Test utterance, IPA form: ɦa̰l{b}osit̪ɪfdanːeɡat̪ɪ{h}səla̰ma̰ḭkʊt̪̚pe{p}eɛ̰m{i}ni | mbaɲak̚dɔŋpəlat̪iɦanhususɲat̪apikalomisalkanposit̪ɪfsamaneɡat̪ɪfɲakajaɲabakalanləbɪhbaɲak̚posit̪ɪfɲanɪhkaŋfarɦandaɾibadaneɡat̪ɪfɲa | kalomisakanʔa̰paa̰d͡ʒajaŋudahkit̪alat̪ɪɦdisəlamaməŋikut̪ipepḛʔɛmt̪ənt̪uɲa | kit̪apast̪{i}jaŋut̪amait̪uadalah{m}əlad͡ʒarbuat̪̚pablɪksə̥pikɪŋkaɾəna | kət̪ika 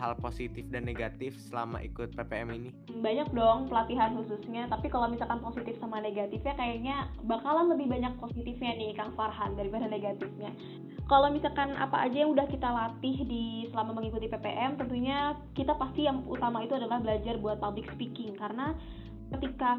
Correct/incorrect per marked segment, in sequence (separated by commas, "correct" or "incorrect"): incorrect, incorrect, correct, correct, correct, incorrect